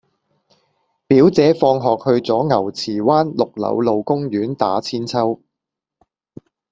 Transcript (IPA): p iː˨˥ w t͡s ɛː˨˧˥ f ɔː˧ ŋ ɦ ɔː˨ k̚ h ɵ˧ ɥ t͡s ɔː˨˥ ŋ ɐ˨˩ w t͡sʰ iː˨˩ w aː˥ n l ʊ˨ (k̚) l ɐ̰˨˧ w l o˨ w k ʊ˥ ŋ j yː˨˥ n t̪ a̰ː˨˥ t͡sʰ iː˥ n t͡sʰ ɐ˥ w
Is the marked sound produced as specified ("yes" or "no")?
yes